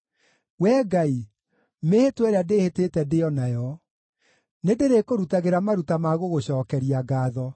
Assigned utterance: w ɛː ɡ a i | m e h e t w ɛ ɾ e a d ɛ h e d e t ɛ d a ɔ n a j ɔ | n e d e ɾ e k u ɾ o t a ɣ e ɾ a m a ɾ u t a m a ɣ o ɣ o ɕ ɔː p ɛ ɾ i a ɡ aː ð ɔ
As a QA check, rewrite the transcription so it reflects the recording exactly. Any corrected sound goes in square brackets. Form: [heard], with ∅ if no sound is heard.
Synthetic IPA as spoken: w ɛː ɡ a i | m e h e t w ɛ ɾ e a d [e] h e [t] e t ɛ d [e] ɔ n a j ɔ | n e d e ɾ e k [o] ɾ [u] t a ɣ e ɾ a m a ɾ u t a m a ɣ o ɣ o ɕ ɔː [k] ɛ ɾ i a ɡ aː ð ɔ